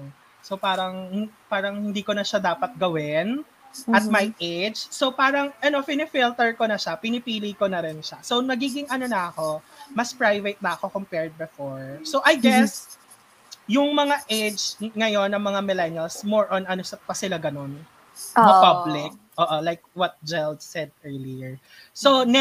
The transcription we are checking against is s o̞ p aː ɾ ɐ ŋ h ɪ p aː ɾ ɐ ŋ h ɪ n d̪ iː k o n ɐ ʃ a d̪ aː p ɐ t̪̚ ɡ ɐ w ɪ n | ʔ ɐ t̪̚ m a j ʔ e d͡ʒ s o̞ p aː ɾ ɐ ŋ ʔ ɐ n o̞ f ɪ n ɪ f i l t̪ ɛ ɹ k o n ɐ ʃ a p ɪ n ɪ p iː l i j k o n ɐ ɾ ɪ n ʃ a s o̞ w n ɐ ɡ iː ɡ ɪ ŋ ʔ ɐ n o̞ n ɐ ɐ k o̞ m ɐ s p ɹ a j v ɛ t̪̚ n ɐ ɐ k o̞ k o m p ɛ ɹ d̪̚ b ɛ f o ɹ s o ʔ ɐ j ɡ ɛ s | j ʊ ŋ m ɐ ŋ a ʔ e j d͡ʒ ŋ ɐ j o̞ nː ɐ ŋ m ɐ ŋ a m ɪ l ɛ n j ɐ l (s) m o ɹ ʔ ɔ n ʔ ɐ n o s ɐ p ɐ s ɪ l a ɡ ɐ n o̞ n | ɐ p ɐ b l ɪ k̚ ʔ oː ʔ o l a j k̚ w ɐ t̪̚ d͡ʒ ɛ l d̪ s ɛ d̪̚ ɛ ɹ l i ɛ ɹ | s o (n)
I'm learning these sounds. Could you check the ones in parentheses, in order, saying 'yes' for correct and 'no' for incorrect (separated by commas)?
yes, yes